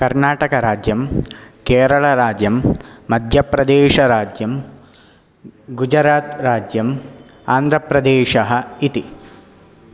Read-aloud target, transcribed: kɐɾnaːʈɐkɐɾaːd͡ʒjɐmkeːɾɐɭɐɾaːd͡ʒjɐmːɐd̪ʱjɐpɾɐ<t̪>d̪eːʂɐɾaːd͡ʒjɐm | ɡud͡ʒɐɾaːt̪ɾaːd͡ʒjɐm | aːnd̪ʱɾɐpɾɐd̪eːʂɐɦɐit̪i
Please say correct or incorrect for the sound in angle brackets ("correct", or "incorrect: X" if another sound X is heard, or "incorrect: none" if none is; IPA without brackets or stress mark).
incorrect: none